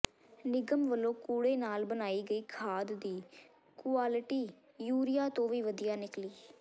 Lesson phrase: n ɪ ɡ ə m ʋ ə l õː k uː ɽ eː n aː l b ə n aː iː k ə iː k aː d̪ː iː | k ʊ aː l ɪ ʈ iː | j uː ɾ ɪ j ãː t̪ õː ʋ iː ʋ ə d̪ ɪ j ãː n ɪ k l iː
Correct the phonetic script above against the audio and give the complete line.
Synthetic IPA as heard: n ɪ ɡ ə m ʋ ə l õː k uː ɽ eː n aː l b ə n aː iː ɡ ə iː kʰ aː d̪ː iː | k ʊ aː l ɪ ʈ iː | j uː ɾ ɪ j aː t̪ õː ʋ iː ʋ ə d̪ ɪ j aː n ɪ k l iː